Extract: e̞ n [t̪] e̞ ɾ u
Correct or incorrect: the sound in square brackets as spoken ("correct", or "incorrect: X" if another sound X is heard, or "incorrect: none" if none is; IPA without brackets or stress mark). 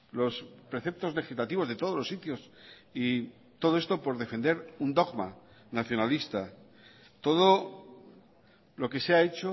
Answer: incorrect: d̪